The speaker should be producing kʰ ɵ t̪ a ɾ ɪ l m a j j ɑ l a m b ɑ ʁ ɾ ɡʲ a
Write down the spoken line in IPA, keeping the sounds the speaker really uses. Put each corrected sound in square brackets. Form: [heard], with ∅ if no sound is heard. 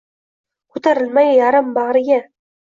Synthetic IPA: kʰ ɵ t̪ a ɾ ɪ l m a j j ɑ [ɾ] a m b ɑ ʁ ɾ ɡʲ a